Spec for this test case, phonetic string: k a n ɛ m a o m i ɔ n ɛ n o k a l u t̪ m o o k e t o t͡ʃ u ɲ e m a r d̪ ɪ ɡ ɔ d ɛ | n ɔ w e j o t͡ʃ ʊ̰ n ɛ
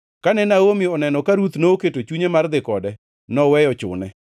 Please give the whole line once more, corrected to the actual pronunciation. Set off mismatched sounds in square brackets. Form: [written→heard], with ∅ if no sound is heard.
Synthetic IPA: k a n ɛ [m→n] a o m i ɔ n ɛ n [o→ɔ] k a [l→ɾ] u t̪ [m→n] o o k e t o t͡ʃ u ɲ e m a r d̪ ɪ [ɡ→k] ɔ d ɛ | n ɔ w [e→ɛ] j [o→ɔ] t͡ʃ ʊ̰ n ɛ